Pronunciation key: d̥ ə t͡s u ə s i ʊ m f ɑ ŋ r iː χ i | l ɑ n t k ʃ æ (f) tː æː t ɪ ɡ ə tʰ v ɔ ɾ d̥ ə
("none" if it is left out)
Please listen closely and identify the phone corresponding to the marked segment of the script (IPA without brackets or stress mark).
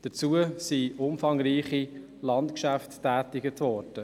f